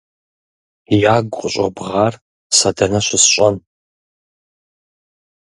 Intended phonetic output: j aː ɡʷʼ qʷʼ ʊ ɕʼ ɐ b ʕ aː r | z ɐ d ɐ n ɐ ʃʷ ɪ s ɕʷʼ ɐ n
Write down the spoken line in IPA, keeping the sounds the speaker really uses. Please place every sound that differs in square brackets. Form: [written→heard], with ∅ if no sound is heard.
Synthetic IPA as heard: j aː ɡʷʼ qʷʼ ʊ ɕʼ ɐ b [ʕ→ʁ] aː r | [z→s] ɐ d ɐ n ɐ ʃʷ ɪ s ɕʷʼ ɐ n